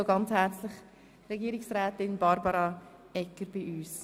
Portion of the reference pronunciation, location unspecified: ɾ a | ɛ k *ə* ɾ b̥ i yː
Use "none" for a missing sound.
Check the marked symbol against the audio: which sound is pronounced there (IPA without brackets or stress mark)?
ə